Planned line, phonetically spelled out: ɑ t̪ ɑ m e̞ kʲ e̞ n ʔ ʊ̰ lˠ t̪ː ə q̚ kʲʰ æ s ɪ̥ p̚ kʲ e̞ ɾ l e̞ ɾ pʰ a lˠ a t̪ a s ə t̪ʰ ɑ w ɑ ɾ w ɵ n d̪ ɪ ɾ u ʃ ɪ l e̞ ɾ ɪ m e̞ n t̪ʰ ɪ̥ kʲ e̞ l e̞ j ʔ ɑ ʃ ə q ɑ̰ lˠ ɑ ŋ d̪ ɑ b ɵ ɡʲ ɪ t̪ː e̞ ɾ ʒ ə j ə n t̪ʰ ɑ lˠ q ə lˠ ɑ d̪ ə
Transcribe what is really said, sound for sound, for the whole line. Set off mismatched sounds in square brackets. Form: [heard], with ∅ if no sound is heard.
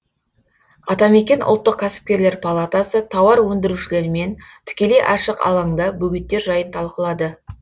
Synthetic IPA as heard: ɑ t̪ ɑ m e̞ kʲ e̞ n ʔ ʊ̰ lˠ t̪ː ə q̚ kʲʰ æ s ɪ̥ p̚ kʲ e̞ ɾ l e̞ ɾ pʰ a lˠ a t̪ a s ə t̪ʰ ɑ w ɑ ɾ w ɵ n d̪ ɪ ɾ u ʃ ɪ l e̞ ɾ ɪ m e̞ n t̪ʰ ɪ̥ kʲ e̞ l e̞ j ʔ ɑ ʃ ə q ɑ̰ lˠ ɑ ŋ d̪ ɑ b ɵ ɡʲ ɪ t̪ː e̞ ɾ ʒ [ɑ] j ə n t̪ʰ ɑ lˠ q ə lˠ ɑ d̪ ə